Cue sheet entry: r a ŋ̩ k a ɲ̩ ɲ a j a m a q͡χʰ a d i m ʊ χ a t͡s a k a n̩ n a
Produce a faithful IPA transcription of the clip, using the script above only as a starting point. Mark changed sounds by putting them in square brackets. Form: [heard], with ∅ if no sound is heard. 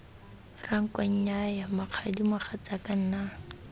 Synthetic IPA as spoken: r a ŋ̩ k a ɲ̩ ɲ a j a m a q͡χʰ a d i m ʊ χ a t͡s a k a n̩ n a

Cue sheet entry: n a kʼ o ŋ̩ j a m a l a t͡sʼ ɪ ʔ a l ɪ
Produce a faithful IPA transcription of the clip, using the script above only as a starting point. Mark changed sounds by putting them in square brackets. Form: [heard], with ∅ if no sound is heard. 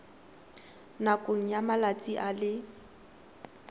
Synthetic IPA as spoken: n a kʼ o ŋ̩ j a m a l a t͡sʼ [i] ʔ a l ɪ

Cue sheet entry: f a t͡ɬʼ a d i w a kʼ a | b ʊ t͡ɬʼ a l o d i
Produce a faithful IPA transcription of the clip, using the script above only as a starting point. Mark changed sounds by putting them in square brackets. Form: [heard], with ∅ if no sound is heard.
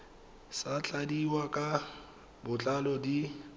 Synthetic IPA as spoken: [s] a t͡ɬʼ a d i w a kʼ a | b ʊ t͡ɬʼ a l [ɔ] d i

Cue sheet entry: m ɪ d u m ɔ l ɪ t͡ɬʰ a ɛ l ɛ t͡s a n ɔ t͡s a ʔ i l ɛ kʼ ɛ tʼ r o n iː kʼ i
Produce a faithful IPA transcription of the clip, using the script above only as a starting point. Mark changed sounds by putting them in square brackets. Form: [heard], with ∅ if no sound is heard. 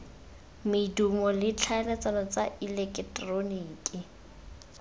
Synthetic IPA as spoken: m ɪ d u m ɔ l ɪ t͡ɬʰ a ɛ l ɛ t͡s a n ɔ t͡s a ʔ i l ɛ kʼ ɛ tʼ r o n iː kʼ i

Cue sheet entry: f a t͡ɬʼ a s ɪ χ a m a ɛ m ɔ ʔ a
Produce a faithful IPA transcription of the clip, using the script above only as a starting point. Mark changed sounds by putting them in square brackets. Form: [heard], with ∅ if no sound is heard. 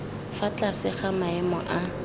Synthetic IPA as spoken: f a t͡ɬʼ a s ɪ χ a m a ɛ m ɔ ʔ a

